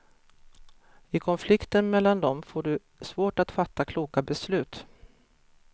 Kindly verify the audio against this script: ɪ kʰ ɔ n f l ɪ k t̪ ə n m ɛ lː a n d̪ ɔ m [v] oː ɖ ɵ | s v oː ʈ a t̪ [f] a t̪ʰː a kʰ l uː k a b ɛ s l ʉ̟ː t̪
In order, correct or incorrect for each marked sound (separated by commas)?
incorrect, correct